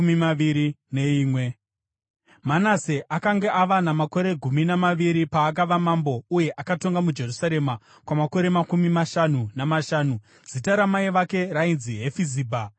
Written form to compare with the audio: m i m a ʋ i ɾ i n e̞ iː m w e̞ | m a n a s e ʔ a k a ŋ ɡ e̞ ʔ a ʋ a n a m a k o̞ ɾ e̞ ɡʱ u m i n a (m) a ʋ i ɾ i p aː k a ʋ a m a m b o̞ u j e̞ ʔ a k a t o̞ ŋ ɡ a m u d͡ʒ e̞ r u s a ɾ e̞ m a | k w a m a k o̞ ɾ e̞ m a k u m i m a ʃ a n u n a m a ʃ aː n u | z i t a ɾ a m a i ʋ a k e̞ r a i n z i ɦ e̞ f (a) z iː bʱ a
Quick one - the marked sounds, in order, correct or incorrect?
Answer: correct, incorrect: i

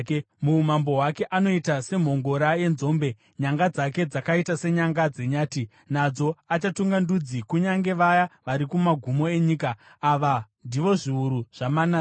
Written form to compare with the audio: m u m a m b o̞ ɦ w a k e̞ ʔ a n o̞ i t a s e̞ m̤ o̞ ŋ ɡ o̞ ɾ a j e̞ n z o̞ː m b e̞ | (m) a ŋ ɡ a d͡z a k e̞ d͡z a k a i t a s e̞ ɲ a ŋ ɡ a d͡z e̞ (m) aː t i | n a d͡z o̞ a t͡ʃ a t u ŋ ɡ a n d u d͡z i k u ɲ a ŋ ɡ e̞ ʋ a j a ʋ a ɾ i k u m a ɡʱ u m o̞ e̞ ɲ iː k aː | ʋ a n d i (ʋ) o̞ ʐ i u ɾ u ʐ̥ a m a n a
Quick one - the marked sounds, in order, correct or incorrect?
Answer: incorrect: ɲ, incorrect: ɲ, correct

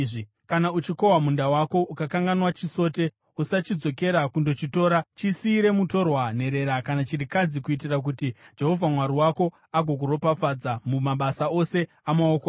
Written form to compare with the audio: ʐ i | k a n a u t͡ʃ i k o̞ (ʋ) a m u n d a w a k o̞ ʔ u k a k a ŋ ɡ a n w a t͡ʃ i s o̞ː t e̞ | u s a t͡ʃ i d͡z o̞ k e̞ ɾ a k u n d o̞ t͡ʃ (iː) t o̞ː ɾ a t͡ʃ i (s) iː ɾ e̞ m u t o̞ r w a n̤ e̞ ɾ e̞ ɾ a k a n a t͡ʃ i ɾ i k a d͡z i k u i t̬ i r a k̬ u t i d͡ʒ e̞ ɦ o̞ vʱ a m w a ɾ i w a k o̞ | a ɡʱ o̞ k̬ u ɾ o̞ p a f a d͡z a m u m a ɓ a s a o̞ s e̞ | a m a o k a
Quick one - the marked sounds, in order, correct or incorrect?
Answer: incorrect: w, incorrect: i, correct

